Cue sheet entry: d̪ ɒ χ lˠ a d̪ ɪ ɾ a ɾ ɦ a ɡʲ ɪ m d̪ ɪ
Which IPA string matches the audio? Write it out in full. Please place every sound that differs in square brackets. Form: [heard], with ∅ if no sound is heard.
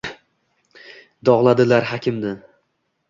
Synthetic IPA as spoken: d̪ ɒ [ʁ] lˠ a d̪ ɪ [l] a ɾ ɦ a [kʲ] ɪ m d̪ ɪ